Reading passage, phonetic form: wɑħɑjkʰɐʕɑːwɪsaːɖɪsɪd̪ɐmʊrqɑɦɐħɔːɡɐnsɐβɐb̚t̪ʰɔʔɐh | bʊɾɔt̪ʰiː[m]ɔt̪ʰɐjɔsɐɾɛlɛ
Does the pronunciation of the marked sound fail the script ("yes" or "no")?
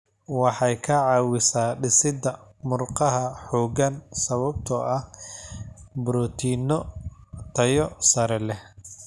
yes